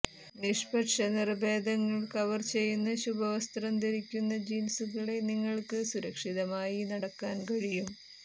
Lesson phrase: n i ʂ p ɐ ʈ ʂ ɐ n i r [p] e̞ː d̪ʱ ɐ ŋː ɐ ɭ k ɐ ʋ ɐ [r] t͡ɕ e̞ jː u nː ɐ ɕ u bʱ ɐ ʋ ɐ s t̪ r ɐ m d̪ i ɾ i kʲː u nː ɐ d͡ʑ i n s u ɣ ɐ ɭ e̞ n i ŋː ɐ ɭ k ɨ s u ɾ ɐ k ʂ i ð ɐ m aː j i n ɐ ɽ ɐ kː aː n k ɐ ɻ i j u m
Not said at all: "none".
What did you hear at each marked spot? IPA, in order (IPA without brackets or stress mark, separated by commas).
b, r